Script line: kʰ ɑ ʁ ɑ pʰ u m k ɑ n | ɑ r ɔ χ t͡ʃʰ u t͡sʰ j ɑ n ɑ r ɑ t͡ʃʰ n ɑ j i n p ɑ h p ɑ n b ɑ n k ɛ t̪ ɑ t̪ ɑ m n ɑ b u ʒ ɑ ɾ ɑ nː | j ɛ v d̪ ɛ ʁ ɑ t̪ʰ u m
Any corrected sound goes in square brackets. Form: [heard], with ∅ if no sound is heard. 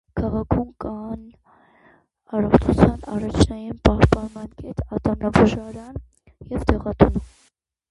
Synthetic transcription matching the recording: kʰ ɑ ʁ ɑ [kʰ] u m k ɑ n | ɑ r ɔ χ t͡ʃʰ u t͡sʰ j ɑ n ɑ r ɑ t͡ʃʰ n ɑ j i n p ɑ h p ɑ n [m] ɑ n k ɛ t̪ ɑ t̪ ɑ m n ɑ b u ʒ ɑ ɾ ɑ [n] | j ɛ v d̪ ɛ ʁ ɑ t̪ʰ u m